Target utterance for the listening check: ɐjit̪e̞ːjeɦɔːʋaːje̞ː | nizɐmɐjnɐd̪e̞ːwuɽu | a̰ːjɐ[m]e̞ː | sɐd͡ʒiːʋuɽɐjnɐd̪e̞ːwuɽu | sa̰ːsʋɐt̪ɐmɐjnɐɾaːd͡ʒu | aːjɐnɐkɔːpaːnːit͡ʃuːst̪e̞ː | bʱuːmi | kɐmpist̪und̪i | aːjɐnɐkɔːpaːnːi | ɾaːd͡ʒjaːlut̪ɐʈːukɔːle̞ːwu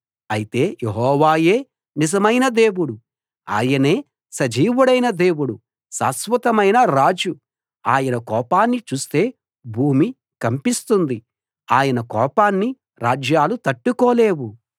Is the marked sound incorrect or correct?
incorrect